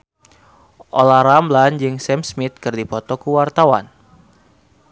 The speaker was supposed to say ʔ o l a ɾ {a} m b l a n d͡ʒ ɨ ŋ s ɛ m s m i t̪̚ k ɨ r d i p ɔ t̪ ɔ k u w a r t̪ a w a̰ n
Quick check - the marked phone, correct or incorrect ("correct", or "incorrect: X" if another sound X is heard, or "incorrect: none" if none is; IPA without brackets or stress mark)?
correct